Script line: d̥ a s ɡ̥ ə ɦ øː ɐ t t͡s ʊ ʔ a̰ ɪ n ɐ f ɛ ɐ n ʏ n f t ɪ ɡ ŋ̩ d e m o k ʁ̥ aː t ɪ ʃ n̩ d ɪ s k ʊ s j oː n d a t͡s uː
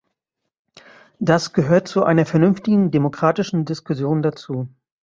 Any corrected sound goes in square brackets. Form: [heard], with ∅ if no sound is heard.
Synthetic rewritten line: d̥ a s ɡ̥ ə ɦ øː ɐ t t͡s [u] ʔ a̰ ɪ n ɐ f ɛ ɐ n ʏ n f t ɪ ɡ ŋ̩ d e m o k ʁ̥ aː t ɪ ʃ n̩ d ɪ s k ʊ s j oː n d a t͡s uː